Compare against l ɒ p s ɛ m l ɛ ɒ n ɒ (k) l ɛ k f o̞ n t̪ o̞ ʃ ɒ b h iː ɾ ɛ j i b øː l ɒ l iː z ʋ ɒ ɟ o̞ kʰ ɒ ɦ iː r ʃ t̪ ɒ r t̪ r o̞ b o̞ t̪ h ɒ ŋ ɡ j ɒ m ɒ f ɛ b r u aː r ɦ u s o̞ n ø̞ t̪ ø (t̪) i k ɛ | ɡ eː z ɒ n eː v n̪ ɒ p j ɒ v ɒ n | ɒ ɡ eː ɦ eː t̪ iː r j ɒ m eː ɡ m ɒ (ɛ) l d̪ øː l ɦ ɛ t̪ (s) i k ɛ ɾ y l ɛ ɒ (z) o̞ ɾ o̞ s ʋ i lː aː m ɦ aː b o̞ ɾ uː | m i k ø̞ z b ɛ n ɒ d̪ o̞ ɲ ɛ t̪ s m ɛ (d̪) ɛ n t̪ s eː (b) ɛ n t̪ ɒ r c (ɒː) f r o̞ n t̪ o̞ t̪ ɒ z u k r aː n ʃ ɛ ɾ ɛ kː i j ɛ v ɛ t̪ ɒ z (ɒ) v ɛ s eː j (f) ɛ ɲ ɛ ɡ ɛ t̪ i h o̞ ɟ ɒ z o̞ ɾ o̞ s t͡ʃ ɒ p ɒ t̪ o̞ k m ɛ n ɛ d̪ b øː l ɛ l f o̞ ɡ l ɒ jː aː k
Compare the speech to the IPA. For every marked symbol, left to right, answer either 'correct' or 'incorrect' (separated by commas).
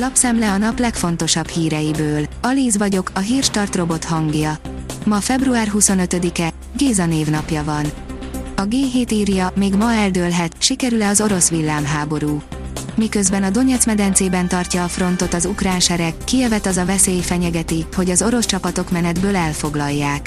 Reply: incorrect, incorrect, correct, incorrect, correct, correct, correct, correct, correct, correct